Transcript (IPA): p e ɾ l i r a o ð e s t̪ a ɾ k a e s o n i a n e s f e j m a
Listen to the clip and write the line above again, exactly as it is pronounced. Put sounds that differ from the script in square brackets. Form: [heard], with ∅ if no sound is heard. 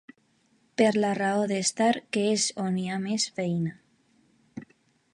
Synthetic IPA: p e ɾ l [a] r a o ð e s t̪ a ɾ k [e] e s o n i a [m] e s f e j [n] a